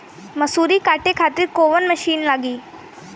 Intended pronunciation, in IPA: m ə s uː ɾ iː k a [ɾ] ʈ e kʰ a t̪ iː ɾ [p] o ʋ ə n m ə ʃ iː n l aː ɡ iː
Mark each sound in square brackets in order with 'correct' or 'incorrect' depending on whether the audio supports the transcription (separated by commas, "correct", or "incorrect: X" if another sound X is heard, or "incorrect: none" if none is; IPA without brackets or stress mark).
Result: incorrect: none, incorrect: k